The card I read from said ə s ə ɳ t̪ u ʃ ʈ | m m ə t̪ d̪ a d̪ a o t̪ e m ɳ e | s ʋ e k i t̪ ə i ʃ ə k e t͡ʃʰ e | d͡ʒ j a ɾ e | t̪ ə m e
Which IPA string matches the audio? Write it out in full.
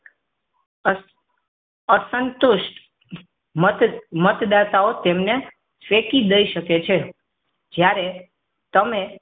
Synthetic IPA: ə s ə n t̪ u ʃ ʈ | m m ə t̪ d̪ a t̪ a o t̪ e m n e | s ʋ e k i d̪ ə i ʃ ə k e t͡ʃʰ e | d͡ʒ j a ɾ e | t̪ ə m e